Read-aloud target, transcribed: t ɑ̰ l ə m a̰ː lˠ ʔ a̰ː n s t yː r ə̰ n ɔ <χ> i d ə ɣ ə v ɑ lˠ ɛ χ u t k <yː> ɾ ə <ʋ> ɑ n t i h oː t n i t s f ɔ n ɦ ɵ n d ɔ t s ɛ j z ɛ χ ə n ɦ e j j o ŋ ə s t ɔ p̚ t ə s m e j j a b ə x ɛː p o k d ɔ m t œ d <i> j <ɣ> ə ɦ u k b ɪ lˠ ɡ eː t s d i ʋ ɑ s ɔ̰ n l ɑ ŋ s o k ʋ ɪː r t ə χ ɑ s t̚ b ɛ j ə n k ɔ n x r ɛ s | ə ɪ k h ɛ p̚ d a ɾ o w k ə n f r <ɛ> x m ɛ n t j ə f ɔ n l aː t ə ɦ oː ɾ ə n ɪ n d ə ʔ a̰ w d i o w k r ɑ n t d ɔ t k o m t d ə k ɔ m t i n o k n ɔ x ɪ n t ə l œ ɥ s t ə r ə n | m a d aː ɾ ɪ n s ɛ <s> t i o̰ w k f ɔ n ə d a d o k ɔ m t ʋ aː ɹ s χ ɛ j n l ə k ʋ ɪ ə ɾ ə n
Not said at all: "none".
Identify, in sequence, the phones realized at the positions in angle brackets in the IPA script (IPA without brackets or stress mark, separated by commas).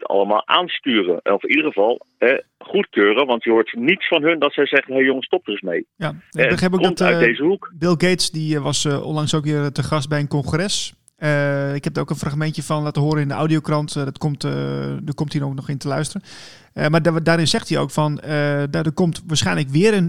f, øː, ʋ, e, z, a, x